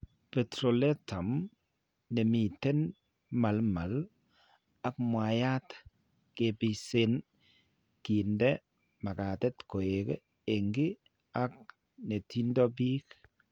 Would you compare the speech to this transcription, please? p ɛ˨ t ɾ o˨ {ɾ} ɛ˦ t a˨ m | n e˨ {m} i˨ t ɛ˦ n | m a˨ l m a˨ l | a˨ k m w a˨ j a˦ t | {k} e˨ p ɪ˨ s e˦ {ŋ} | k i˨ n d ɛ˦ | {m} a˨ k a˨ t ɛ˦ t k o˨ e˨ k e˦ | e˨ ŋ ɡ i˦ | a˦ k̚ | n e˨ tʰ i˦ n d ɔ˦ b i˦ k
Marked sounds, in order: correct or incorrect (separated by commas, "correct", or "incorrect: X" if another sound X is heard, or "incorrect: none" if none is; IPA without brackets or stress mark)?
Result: incorrect: l, correct, correct, incorrect: n, correct